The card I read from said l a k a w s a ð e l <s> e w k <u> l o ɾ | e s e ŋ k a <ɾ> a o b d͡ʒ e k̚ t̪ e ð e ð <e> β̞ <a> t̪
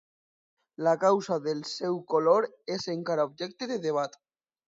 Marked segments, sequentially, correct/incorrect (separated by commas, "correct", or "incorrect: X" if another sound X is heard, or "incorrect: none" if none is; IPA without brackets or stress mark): correct, incorrect: o, correct, correct, correct